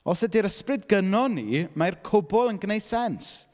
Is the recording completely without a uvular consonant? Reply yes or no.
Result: yes